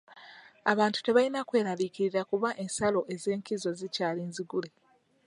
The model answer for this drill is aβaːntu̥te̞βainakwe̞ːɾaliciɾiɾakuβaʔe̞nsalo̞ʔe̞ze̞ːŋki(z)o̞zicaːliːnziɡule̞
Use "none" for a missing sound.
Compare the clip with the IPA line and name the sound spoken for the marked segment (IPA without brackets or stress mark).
z